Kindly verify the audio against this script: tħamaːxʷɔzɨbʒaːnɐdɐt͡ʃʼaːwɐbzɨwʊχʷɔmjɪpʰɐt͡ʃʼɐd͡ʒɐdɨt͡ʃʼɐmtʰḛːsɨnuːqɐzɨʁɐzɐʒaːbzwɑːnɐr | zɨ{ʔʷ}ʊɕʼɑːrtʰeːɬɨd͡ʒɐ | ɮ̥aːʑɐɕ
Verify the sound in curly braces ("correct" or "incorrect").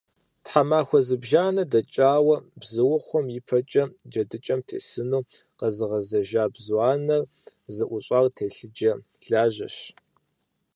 correct